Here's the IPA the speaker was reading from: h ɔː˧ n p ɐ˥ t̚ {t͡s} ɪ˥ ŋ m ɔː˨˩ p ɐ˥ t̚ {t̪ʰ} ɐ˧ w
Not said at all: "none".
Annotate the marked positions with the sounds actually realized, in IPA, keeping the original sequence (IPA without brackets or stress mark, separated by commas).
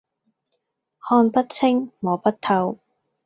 t͡sʰ, t̪ʰ